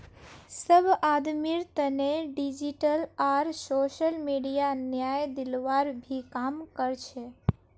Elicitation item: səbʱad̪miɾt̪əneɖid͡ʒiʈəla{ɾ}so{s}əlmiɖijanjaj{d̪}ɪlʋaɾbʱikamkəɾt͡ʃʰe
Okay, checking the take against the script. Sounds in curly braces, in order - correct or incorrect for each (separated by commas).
correct, incorrect, correct